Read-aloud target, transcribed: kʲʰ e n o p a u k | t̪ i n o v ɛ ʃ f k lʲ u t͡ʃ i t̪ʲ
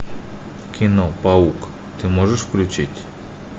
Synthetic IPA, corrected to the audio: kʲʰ i n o p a u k | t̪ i m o ʒ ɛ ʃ f k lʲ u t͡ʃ i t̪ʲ